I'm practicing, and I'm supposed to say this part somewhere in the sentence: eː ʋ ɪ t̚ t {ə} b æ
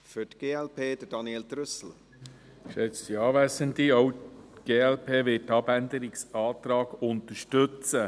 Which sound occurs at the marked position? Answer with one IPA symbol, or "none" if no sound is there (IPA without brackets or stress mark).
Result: ɑ